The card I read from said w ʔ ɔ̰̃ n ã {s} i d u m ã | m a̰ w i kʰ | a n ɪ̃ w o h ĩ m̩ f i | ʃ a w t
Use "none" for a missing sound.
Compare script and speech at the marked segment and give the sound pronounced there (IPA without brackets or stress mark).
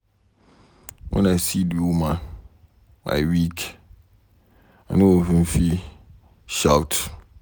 s